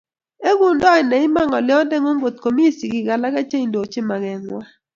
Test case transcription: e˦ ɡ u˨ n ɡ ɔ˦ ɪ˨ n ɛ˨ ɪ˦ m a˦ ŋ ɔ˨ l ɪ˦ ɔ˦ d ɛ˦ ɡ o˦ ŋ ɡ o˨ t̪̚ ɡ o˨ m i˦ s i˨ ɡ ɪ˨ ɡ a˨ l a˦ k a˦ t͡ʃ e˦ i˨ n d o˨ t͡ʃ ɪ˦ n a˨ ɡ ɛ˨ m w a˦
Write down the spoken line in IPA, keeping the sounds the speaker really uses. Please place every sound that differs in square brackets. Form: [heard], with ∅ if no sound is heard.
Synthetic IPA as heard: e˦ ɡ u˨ n [d] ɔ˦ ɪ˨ n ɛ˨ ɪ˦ m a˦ ŋ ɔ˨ l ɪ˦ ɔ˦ d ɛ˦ [ŋ] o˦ ŋ ɡ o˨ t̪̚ [k] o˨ m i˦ s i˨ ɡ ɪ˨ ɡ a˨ l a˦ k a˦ t͡ʃ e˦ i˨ n d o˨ t͡ʃ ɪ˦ [m] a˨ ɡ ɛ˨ [ŋ] w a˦